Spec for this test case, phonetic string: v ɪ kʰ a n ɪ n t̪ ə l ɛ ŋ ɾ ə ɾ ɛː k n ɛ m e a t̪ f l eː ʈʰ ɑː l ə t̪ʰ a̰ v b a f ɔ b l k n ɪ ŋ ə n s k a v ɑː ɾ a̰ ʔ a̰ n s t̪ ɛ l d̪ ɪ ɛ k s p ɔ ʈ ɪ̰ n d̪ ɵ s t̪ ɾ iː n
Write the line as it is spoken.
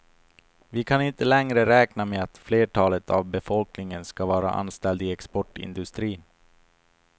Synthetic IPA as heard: v ɪ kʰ a n ɪ n t̪ ə l ɛ ŋ ɾ ə ɾ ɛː k n a m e a t̪ f l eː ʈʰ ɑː l ə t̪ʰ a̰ v b ɛ f ɔ l k n ɪ ŋ ə n s k a v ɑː ɾ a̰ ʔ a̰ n s t̪ ɛ l d̪ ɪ ɛ k s p ɔ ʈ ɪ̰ n d̪ ɵ s t̪ ɾ iː n